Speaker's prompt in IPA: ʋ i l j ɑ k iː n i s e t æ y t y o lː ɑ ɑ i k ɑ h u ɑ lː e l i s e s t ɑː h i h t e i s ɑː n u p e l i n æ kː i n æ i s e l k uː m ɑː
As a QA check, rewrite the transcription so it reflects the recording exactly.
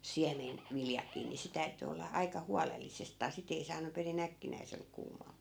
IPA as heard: ʋ i l j ɑ k iː n i s e t æ y t y o lː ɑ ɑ i k ɑ h u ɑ l e lː i s e s t ɑː s i t e i s ɑː n u p e r i n æ kː i n æ i s e l k uː m ɑː